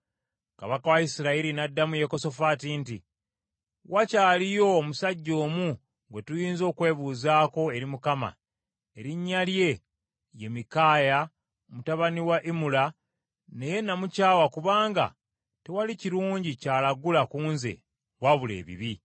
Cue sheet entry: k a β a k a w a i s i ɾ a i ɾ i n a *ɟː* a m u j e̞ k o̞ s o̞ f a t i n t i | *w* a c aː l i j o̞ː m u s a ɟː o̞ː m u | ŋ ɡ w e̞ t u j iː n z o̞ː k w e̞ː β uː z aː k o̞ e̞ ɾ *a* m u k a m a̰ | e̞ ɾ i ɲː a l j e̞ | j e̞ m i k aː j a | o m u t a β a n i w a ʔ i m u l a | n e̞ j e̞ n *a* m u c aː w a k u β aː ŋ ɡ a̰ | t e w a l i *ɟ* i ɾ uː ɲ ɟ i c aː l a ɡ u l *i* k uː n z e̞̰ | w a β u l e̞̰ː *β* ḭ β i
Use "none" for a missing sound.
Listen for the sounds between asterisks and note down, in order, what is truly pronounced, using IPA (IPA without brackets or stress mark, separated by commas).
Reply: dː, w, i, a, c, a, β